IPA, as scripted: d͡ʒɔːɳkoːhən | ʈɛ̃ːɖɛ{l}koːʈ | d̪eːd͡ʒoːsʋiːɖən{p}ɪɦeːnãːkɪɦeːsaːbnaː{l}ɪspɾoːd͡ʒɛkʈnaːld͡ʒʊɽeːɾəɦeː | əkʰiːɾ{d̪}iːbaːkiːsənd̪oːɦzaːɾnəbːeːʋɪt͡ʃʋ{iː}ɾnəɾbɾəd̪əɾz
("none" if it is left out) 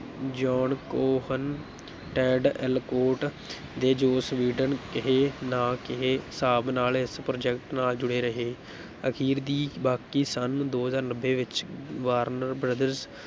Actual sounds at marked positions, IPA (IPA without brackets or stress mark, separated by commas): l, k, l, d̪, aː